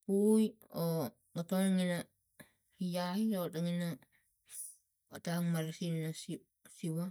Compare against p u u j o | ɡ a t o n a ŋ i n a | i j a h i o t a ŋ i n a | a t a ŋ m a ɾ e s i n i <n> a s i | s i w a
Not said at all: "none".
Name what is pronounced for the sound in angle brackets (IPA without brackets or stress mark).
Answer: n